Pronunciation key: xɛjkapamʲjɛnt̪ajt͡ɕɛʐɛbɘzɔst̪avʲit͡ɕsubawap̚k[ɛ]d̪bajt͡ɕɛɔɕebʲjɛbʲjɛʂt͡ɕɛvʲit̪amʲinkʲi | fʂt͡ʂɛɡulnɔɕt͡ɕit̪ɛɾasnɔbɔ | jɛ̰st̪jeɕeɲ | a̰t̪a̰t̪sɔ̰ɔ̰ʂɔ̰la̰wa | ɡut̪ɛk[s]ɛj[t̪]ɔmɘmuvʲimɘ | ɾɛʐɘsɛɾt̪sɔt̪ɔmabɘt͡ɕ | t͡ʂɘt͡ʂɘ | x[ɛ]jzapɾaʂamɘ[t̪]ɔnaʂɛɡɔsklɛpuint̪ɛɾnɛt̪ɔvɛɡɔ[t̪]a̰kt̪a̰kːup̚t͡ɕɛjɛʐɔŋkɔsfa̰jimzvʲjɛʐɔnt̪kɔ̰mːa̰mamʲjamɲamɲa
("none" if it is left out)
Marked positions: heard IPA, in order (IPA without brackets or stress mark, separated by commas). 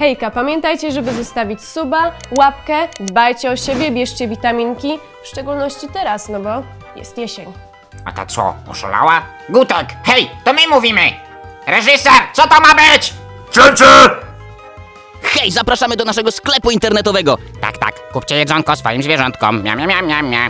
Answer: ɛ, x, t̪, ɛ, d̪, t̪